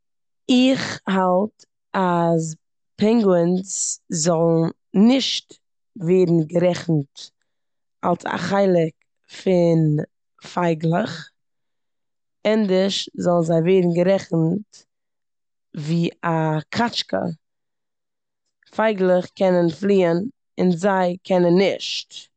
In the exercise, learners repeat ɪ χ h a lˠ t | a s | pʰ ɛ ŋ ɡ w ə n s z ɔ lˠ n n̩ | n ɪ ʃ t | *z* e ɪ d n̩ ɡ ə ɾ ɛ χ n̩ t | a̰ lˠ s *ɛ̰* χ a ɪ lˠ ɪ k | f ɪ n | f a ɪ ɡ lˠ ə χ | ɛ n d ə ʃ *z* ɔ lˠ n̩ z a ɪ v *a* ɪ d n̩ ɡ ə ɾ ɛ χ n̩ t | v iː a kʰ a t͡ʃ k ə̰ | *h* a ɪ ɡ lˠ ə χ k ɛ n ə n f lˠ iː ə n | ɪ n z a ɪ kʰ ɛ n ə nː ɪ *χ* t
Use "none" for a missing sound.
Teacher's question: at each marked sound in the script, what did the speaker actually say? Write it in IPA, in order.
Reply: v, a̰, z, e, f, ʃ

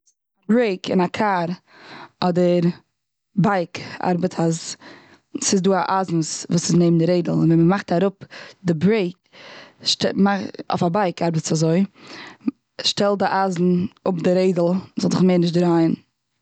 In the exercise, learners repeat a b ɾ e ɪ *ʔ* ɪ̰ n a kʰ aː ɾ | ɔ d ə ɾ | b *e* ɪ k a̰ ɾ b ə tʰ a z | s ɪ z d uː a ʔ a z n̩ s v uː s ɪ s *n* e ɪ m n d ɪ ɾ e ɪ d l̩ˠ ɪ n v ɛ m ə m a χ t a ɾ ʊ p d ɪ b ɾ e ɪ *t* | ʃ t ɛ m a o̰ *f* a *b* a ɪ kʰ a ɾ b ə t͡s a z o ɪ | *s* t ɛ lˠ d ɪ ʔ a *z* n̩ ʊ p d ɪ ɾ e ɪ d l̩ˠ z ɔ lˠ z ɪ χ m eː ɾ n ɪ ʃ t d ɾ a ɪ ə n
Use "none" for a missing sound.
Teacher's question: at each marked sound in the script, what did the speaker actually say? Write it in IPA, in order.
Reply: k, a, n, k, f, b, ʃ, z

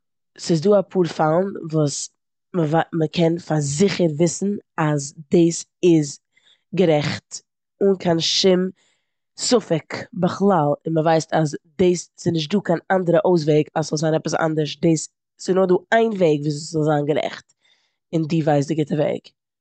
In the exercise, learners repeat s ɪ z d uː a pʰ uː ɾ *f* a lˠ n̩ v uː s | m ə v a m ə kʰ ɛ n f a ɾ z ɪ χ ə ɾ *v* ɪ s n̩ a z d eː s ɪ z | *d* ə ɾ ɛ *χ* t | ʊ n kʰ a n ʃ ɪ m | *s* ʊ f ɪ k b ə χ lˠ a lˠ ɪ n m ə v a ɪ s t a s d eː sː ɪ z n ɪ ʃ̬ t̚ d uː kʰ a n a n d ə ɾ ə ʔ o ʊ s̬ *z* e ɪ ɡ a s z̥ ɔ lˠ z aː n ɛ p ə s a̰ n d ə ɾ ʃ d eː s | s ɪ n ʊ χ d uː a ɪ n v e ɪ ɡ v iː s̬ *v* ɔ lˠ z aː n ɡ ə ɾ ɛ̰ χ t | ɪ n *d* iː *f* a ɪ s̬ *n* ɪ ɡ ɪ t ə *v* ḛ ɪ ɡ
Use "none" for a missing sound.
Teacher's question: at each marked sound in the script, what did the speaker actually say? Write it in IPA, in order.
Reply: f, v, ɡ, χ, s, v, z, d, v, d, v

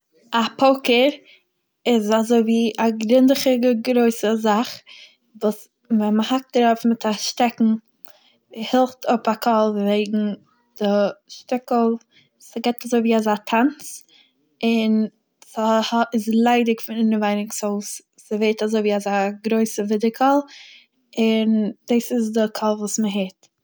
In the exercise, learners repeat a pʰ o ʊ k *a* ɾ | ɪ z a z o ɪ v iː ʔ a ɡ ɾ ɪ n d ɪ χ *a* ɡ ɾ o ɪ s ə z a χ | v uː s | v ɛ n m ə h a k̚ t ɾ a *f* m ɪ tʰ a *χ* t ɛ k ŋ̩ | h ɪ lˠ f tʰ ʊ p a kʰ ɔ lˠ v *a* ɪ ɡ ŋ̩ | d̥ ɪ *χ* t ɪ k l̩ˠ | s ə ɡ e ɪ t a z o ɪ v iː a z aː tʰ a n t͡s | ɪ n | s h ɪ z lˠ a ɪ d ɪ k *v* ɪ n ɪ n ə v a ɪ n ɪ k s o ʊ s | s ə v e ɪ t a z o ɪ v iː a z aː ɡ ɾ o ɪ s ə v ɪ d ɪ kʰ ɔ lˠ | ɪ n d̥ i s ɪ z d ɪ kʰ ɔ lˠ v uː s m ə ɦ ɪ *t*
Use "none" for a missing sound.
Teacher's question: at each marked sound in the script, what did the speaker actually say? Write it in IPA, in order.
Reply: ə, ə, f, ʃ, e, ʃ, f, t

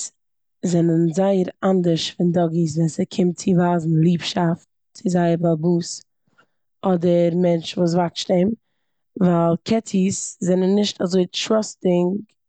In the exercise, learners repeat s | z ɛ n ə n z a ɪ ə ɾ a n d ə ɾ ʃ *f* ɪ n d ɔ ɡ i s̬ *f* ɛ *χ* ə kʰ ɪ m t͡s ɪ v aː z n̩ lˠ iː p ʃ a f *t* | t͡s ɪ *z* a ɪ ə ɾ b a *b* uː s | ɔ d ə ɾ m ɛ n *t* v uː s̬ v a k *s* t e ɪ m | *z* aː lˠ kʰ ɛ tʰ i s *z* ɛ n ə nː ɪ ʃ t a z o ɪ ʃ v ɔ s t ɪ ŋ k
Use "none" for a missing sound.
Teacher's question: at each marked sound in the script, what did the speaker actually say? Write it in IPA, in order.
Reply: f, v, s, t, z, b, t͡ʃ, ʃ, v, z

